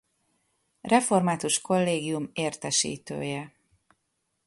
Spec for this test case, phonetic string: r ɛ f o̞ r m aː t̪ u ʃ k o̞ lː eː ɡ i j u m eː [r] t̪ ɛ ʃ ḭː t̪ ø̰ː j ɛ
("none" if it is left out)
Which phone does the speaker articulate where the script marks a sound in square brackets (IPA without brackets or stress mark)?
r